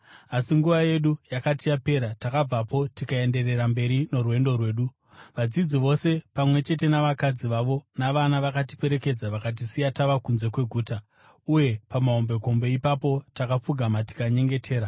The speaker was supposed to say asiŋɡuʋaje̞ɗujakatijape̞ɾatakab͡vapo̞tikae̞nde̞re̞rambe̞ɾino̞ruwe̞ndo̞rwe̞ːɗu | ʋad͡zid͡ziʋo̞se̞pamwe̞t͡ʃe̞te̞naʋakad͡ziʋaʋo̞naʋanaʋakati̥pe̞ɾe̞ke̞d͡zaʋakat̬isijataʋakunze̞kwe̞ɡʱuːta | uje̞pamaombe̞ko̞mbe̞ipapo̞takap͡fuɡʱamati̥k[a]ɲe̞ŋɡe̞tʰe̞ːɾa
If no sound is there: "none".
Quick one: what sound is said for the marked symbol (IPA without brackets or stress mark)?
a